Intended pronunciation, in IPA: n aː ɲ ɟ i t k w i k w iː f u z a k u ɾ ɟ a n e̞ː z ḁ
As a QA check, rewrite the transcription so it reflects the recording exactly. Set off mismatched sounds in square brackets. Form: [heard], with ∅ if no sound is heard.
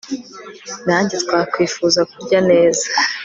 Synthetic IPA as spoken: n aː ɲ ɟ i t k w [a] k w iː f u z a k u ɾ ɟ a n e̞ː z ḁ

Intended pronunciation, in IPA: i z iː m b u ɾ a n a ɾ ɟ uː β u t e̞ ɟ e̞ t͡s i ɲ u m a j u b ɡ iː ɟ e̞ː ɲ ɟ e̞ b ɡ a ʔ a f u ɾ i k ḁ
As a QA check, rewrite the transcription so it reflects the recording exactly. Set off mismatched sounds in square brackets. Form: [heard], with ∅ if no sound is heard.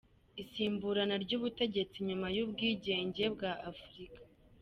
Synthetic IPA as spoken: i [s] iː m b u ɾ a n a ɾ ɟ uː β u t e̞ ɟ e̞ t͡s i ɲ u m a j u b ɡ iː ɟ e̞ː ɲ ɟ e̞ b ɡ a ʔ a f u ɾ i k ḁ

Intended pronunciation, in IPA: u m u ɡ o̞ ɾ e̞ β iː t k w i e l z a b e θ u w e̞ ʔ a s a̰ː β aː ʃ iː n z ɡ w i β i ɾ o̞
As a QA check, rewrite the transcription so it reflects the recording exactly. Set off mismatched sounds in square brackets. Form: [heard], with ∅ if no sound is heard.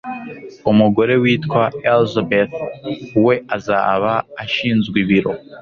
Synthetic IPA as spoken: u m u ɡ o̞ ɾ e̞ [w] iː t k w [a] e l z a b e θ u w e̞ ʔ a [z] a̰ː β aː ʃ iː n z ɡ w i β i ɾ o̞

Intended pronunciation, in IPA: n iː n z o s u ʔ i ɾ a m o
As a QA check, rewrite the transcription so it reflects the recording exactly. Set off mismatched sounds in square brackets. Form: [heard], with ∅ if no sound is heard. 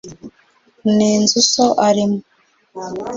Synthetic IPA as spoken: n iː n z [u] s [o] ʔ [a] ɾ [i] m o

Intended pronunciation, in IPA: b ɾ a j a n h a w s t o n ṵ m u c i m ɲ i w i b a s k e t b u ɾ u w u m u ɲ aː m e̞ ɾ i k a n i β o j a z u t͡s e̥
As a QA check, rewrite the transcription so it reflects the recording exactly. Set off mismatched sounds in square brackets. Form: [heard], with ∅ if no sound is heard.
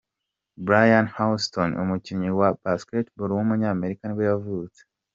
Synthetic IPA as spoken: b ɾ a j a n h a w s t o n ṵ m u c i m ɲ i w [a] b a s k e t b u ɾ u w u m u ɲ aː m e̞ ɾ i k a n i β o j a [v] u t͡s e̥

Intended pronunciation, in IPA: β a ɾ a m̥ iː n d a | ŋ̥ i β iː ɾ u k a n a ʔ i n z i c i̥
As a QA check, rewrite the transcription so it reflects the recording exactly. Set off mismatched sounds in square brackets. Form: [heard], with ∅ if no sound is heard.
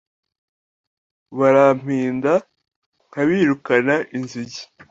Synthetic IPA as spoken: β a ɾ a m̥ iː n d a | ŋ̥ [a] β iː ɾ u k a n a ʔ i n z i [ɟ] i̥

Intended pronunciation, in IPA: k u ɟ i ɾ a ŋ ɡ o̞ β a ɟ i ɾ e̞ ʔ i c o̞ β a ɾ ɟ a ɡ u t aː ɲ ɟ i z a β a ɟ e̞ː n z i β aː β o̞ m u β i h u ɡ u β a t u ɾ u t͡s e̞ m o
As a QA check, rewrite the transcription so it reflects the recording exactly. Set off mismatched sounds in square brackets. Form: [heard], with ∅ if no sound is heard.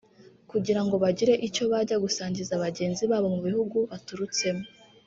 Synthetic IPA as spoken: k u ɟ i ɾ a ŋ ɡ o̞ β a ɟ i ɾ e̞ ʔ i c o̞ β a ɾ ɟ a ɡ u [s] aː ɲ ɟ i z a β a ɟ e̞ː n z i β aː β o̞ m u β i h u ɡ u β a t u ɾ u t͡s e̞ m o

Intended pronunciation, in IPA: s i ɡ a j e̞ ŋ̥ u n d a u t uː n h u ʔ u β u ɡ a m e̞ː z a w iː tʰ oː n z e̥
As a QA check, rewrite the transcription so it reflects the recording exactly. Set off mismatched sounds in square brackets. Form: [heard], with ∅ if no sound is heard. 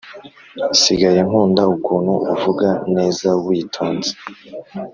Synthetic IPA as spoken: s i ɡ a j e̞ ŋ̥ [uː] n d a u [k] uː n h u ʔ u [v] u ɡ a [n] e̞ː z a w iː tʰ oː n z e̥

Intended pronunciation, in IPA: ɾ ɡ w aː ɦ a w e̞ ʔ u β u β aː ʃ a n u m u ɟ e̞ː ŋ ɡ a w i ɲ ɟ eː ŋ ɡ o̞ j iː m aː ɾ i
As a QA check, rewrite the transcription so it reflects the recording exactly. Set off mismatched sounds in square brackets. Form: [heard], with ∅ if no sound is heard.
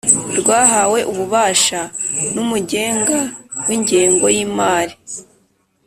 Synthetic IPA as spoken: ɾ ɡ w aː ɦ a w e̞ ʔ u β u β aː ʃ a n u m u ɟ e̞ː ŋ ɡ a w i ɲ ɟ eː ŋ ɡ o̞ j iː m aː ɾ i

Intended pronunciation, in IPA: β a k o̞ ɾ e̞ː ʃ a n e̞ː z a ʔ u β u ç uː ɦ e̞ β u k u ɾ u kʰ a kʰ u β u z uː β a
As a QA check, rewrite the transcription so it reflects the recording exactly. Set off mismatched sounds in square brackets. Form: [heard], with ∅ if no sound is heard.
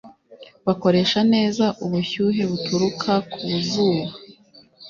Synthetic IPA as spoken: β a k o̞ ɾ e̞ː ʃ a n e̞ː z a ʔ u β u ç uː ɦ e̞ β u [t] u ɾ u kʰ a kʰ u β u z uː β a

